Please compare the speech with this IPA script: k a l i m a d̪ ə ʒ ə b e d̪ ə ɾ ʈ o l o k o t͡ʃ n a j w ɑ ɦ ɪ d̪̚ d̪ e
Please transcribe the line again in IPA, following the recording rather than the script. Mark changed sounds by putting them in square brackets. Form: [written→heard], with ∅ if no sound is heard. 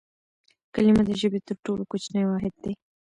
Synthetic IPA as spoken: k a l i m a d̪ ə ʒ ə b e [d̪→t̪] ə ɾ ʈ o l o k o t͡ʃ n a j w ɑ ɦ ɪ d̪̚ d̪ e